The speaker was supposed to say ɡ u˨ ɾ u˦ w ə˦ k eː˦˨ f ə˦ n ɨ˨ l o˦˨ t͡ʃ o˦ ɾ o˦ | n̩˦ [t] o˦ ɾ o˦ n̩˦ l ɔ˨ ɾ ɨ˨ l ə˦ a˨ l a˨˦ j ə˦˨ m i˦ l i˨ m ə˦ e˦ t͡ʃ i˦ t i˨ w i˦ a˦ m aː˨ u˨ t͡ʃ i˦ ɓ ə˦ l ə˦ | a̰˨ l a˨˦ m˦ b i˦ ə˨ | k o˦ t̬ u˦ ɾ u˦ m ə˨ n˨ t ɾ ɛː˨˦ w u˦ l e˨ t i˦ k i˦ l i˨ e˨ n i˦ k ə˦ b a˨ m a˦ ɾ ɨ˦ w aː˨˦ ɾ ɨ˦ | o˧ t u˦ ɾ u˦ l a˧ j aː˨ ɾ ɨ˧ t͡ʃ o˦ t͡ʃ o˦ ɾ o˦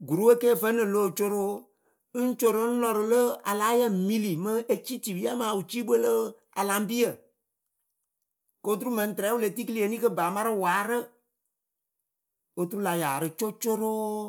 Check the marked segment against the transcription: incorrect: t͡ʃ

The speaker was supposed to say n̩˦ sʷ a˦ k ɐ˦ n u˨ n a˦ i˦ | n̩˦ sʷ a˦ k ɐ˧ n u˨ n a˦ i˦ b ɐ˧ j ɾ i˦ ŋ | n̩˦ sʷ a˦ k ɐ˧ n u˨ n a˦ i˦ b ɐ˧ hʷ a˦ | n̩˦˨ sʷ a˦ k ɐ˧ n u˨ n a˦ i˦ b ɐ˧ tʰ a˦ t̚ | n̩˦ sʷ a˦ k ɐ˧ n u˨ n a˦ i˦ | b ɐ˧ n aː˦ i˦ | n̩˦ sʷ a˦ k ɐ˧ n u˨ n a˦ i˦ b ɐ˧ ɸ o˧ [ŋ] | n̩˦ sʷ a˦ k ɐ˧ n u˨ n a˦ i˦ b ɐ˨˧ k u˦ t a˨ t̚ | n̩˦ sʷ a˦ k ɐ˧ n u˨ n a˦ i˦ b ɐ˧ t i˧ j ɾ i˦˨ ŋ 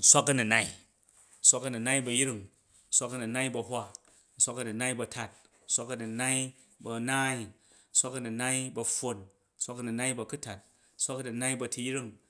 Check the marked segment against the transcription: incorrect: n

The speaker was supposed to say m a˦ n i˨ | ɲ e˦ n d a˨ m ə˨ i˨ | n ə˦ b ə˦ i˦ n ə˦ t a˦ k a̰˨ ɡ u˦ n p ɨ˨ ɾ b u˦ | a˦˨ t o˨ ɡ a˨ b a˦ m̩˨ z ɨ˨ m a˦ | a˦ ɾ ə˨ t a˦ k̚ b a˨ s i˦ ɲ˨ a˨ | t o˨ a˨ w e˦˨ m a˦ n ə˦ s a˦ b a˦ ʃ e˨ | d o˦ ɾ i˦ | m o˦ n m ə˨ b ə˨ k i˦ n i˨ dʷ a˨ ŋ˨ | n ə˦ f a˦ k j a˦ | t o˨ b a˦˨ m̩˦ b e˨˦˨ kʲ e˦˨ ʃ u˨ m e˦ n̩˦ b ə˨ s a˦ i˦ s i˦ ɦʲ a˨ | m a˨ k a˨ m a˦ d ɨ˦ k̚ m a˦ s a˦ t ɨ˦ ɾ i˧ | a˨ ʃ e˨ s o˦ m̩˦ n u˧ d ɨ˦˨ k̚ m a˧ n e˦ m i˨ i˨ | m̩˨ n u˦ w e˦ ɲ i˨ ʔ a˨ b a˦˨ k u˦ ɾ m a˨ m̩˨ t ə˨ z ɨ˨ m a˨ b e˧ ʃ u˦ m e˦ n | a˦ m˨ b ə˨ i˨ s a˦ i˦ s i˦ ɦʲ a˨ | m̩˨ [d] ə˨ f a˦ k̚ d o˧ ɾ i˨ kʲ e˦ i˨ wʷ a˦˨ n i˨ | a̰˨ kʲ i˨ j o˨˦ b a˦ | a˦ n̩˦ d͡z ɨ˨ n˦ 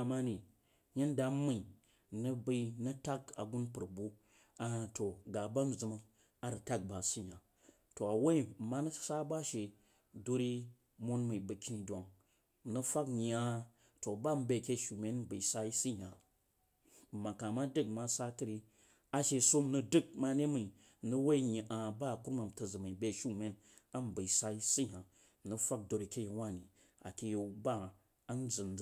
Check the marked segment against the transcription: incorrect: n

